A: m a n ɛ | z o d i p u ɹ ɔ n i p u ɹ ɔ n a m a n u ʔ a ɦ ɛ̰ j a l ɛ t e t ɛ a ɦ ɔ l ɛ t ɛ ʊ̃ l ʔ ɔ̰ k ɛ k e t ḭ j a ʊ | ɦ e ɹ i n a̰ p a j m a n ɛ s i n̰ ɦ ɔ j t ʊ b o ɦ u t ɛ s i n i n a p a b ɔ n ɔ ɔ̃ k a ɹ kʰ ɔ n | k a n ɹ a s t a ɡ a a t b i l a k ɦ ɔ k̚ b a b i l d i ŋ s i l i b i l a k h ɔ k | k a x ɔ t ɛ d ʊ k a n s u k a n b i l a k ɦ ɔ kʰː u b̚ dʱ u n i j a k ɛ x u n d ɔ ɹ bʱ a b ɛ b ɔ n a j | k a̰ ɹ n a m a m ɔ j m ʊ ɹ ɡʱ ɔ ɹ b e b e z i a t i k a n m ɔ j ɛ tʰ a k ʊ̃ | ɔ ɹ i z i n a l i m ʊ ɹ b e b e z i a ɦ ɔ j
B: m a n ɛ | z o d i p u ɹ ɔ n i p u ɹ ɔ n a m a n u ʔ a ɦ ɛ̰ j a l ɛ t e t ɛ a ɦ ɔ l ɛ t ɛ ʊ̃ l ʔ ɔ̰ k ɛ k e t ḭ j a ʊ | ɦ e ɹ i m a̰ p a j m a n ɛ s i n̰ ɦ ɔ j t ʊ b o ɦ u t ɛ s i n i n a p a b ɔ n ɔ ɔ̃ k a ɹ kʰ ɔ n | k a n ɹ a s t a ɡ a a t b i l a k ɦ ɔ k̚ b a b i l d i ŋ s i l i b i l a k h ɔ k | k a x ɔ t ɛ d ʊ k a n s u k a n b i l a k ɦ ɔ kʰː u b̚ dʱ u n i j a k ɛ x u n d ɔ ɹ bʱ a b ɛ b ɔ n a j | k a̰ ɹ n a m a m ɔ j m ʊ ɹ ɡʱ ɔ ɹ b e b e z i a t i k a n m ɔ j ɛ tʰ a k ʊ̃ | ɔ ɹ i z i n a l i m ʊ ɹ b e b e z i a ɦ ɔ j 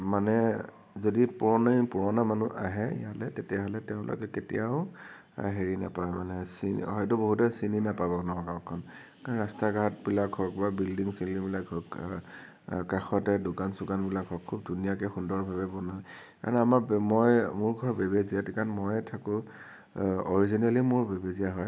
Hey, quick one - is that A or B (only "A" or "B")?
A